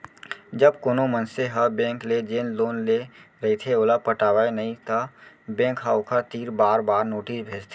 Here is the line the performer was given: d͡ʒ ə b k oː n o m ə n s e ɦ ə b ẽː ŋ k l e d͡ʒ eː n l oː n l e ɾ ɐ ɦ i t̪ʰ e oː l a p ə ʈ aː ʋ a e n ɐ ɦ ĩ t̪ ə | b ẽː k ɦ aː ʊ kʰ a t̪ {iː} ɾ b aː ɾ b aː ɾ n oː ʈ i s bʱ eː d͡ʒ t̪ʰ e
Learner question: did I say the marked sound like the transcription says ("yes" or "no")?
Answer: yes